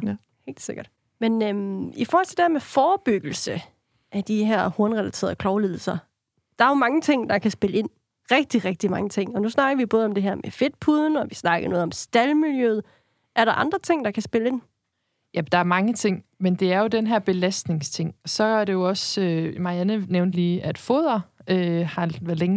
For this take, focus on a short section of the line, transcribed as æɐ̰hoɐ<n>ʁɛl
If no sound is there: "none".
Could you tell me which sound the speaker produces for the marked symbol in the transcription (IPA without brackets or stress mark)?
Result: n